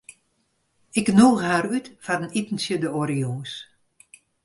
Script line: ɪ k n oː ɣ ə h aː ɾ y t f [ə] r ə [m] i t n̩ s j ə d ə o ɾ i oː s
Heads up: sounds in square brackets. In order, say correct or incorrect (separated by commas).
incorrect, incorrect